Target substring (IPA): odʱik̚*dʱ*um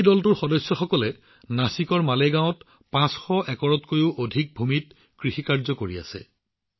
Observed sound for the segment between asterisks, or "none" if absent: bʱ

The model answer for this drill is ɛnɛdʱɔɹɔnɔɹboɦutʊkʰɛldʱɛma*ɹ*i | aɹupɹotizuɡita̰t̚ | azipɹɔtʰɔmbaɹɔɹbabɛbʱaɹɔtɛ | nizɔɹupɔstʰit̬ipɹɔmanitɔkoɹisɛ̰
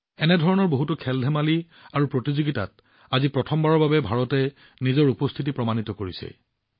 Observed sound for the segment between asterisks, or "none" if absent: l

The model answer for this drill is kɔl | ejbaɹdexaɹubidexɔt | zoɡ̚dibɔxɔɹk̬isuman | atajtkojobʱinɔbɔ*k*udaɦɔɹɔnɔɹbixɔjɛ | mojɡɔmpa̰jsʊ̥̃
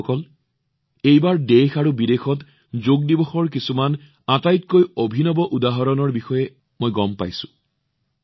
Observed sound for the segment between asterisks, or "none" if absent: ʔ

